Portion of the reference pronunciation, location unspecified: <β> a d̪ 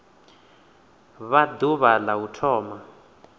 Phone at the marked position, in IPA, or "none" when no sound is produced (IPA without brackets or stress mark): β